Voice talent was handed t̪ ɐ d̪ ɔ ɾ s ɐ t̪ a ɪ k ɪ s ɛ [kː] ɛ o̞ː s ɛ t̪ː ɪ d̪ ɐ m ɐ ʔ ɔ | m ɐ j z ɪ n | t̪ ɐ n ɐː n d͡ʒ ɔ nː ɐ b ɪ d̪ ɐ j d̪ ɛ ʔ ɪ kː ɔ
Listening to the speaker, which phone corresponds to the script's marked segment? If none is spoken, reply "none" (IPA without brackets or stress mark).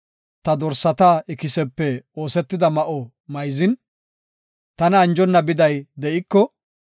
pː